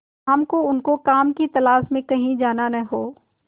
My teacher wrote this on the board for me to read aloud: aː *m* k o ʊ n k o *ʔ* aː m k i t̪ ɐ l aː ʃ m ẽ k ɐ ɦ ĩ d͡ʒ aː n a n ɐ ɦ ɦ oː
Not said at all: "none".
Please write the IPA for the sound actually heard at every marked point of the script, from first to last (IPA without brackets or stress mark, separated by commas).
m, k